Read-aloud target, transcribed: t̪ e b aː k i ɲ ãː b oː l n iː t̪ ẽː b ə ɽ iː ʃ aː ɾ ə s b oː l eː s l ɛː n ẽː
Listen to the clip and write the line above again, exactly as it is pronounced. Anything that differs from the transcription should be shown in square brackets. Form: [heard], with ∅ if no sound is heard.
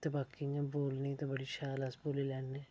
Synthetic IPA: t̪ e b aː k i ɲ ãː b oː l n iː t̪ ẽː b ə ɽ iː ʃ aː [l] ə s b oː l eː [∅] l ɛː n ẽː